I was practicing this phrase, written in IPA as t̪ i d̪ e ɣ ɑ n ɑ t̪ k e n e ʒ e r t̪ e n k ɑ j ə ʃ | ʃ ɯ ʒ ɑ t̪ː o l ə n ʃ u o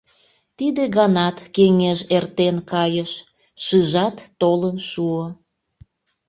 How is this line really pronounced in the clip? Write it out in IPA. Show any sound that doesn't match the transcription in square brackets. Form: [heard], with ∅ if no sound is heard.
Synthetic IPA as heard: t̪ i d̪ e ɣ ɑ n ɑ t̪ k e [ŋ] e ʒ e r t̪ e n k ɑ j ə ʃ | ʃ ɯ ʒ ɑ t̪ː o l ə n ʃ u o

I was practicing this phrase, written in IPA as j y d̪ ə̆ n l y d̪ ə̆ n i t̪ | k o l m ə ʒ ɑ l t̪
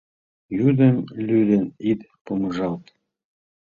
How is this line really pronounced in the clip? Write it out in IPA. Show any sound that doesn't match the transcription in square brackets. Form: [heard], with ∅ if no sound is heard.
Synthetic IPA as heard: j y d̪ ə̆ [m] l y d̪ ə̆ n i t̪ | [p] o [∅] m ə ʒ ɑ l t̪

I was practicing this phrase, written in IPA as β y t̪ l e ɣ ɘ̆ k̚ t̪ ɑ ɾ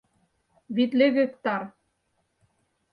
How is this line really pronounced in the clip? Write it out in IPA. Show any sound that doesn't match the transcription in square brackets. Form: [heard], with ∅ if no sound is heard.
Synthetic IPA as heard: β [i] t̪ l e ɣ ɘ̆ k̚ t̪ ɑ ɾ

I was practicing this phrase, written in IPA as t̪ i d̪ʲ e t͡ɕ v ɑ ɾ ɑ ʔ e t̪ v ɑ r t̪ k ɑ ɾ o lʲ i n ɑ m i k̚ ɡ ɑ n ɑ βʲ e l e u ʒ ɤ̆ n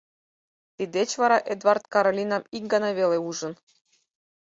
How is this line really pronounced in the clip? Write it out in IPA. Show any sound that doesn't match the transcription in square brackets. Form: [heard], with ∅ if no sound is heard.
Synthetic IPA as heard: t̪ i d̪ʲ e t͡ɕ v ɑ ɾ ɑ ʔ e [d̪] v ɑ r t̪ k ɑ ɾ o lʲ i n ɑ m i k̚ ɡ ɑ n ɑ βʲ e l e u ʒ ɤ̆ n

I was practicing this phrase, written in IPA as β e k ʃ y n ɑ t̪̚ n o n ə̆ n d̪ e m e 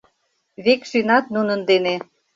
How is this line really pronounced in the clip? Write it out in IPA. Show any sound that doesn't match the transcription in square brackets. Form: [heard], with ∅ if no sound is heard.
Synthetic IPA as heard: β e k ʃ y n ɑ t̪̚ n [u] n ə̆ n d̪ e [n] e

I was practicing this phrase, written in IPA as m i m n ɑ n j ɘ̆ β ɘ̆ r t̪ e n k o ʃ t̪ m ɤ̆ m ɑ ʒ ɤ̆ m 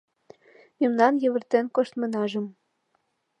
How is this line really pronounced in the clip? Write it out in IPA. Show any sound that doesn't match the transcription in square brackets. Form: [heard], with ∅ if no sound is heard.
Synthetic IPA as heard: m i m n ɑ n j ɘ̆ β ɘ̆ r t̪ e n k o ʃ t̪ m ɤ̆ [n] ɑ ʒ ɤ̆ m

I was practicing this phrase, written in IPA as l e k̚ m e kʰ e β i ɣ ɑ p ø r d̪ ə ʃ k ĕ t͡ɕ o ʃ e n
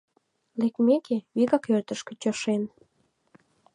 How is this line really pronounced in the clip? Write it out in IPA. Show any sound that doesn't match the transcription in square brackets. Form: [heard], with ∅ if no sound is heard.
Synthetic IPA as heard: l e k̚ m e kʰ e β i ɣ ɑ [k] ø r [t̪] ə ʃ k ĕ t͡ɕ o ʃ e n

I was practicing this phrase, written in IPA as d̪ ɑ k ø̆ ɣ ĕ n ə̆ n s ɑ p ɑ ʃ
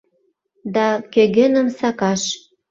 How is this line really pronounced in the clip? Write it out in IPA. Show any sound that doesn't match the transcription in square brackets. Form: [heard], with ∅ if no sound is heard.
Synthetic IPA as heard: d̪ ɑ k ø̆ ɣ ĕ n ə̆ [m] s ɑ [k] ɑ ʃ

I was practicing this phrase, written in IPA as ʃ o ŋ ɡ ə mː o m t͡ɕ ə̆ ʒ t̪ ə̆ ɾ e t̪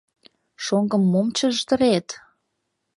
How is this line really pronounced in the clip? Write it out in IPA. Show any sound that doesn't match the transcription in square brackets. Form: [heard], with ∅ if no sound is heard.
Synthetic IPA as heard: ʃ o ŋ ɡ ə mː o m t͡ɕ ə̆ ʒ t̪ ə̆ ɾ e t̪

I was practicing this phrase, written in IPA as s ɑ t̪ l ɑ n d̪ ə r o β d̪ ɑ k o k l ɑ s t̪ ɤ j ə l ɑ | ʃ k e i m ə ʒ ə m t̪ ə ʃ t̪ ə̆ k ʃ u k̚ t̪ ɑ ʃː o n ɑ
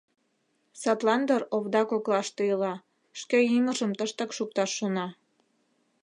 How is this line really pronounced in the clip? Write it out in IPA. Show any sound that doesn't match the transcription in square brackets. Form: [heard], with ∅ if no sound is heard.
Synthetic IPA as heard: s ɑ t̪ l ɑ n d̪ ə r o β d̪ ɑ k o k l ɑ [ʃ] t̪ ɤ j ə l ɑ | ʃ k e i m ə ʒ ə m t̪ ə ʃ t̪ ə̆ k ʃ u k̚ t̪ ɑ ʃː o n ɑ

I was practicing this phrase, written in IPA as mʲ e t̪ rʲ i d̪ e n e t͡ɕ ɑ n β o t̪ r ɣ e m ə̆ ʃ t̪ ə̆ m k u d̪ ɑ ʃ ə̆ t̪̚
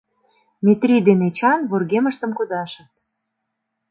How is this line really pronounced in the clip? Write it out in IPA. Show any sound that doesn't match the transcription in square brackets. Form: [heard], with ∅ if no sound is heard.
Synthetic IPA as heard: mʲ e t̪ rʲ i d̪ e n e t͡ɕ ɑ n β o [∅] r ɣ e m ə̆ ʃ t̪ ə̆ m k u d̪ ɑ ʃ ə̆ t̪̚

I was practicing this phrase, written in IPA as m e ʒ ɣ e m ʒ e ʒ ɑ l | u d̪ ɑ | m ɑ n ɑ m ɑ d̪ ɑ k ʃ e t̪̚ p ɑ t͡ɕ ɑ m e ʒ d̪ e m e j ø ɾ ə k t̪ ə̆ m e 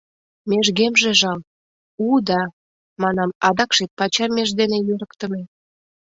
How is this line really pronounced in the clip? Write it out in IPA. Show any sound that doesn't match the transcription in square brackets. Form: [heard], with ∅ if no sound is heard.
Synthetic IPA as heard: m e ʒ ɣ e m ʒ e ʒ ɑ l | u d̪ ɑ | m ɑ n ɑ m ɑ d̪ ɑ k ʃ e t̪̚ p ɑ t͡ɕ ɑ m e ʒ d̪ e [n] e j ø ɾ ə k t̪ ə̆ m e

